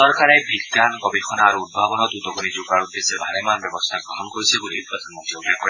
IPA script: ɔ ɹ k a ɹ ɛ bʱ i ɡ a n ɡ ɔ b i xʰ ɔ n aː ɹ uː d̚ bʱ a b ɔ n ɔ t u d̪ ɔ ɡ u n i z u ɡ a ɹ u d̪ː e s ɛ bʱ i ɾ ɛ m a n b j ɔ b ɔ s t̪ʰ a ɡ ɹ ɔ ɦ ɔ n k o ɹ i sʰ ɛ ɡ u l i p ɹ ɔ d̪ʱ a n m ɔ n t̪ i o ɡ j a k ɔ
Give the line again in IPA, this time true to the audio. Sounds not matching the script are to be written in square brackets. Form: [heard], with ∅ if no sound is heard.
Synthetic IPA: ɔ ɹ k a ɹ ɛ bʱ i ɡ a n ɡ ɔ b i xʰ ɔ n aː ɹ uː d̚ bʱ a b ɔ n ɔ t u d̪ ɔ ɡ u n i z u ɡ a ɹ u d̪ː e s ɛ bʱ [a] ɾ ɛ m a n b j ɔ b ɔ s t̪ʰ a ɡ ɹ ɔ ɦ ɔ n k o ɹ i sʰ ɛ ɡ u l i p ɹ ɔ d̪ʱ a n m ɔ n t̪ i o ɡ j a k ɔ